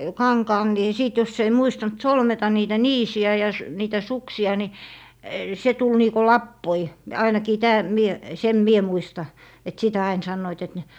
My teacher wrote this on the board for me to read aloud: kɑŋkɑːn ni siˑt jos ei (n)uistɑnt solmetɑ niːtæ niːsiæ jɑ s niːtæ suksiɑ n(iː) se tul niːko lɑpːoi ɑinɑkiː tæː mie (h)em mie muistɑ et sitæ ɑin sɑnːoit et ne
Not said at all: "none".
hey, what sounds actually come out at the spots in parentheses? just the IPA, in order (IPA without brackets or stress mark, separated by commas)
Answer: m, i, s